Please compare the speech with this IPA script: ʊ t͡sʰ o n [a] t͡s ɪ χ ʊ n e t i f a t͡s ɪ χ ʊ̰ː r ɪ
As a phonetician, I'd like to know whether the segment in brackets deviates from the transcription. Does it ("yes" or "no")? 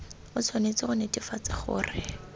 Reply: yes